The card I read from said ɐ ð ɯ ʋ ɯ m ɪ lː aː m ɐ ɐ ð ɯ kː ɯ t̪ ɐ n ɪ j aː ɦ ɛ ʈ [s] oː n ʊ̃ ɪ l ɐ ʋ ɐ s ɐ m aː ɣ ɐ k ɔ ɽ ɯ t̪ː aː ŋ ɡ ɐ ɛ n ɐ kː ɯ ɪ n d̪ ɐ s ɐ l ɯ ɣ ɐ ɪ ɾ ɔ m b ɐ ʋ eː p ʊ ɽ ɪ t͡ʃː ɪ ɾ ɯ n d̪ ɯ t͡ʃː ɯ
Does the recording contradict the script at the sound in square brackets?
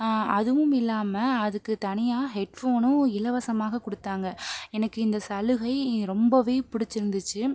yes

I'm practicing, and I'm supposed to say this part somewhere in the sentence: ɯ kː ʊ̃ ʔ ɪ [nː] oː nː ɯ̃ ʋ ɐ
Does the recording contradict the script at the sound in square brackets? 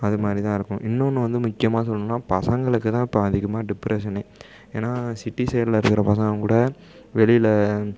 no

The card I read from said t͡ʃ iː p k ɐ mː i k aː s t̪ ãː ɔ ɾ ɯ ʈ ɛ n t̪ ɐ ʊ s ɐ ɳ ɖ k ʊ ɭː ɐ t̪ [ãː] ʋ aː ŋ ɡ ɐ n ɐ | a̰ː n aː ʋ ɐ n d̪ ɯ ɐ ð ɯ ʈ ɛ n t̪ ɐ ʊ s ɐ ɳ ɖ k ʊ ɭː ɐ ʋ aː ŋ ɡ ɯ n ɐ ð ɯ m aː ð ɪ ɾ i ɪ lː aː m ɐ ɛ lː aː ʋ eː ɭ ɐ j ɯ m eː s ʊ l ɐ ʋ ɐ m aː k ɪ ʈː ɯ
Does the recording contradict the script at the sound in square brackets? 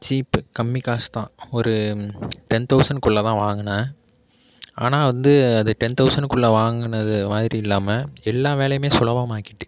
no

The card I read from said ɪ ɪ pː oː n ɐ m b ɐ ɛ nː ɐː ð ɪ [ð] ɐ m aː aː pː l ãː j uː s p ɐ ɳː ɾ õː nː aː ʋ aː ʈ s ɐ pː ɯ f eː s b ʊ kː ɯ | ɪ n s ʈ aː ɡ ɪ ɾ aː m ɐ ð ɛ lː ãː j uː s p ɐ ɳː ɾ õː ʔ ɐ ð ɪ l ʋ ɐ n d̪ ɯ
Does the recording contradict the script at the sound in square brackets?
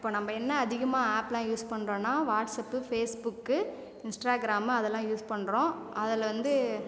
yes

